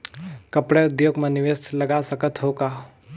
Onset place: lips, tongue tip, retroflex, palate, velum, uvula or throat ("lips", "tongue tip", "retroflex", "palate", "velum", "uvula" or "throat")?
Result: velum